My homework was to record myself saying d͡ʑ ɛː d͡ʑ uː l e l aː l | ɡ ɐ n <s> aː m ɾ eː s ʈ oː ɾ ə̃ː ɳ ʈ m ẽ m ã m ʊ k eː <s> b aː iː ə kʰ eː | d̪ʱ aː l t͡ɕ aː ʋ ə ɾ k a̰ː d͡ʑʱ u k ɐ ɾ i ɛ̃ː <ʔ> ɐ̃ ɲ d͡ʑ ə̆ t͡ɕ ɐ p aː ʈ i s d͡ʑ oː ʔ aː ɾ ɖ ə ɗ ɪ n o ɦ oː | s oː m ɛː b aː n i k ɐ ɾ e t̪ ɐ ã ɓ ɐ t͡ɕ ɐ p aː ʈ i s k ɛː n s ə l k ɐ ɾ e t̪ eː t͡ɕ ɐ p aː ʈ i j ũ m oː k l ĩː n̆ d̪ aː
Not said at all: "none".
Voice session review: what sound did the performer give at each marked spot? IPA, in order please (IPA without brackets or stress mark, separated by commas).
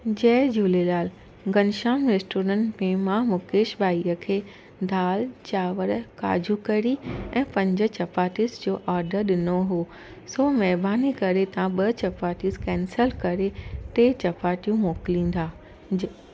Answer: ʃ, ʃ, p